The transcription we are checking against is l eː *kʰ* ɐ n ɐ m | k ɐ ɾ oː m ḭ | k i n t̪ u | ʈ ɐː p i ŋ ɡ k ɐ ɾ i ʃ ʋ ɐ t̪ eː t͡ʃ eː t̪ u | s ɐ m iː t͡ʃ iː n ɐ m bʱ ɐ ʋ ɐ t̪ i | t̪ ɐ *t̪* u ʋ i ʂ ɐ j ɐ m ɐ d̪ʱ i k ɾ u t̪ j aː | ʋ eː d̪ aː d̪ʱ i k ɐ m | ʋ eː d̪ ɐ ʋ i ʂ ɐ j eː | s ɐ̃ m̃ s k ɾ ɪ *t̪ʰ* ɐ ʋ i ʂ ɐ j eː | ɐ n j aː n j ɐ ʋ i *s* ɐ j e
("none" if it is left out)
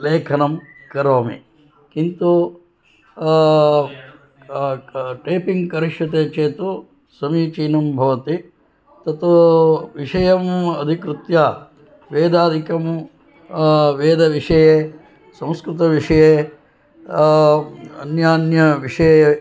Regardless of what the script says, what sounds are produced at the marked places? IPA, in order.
kʰ, t̪, t̪, ʂ

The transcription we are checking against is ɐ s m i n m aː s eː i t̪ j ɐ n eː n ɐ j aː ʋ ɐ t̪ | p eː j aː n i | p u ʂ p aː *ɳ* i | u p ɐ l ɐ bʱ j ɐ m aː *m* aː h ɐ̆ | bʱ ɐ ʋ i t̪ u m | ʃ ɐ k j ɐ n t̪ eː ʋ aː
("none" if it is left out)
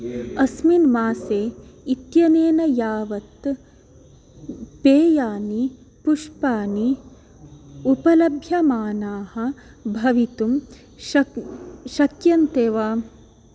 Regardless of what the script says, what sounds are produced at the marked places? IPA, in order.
n, n

